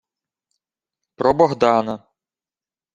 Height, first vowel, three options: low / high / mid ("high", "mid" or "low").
mid